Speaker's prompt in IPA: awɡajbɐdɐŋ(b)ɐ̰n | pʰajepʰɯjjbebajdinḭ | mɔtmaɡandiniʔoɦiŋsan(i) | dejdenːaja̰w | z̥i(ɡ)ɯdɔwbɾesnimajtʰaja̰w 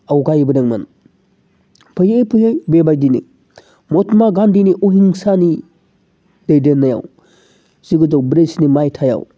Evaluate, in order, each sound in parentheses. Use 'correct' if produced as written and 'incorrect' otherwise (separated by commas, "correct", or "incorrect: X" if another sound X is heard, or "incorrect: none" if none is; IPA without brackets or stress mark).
incorrect: m, correct, correct